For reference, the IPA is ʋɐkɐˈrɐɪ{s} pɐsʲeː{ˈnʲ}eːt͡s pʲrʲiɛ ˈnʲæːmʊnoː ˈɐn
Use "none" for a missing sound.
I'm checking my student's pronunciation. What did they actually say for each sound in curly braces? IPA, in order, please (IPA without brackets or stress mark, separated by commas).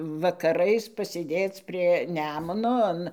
s, dʲ